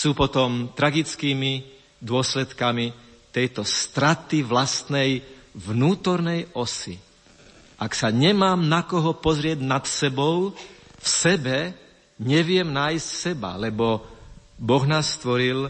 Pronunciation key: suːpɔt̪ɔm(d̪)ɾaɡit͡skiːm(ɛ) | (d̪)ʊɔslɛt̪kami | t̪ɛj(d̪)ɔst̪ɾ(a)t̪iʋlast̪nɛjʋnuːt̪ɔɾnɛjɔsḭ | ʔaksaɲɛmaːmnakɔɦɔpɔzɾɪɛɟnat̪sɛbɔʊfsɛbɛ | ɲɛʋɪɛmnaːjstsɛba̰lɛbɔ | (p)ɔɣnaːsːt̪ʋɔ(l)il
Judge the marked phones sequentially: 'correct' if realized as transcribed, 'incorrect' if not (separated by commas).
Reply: incorrect, incorrect, correct, incorrect, correct, incorrect, incorrect